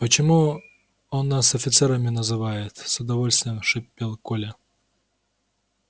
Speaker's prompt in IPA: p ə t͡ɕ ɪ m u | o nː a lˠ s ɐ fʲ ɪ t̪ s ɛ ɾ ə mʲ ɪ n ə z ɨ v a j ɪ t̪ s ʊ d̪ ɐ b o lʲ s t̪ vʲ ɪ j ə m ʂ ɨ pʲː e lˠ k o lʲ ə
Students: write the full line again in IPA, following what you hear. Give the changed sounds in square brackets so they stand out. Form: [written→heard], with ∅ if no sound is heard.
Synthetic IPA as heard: p ə t͡ɕ ɪ m u | o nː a [lˠ→∅] s ɐ fʲ ɪ t̪ s ɛ ɾ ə mʲ ɪ n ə z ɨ v a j ɪ t̪ s ʊ d̪ ɐ [b→v] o lʲ s t̪ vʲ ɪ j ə m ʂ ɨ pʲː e lˠ k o lʲ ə